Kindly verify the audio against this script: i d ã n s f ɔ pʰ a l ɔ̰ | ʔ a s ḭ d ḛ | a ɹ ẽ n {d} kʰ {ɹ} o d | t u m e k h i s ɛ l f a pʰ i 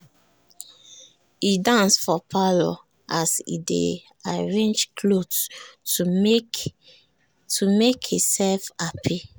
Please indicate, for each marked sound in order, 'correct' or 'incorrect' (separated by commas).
incorrect, incorrect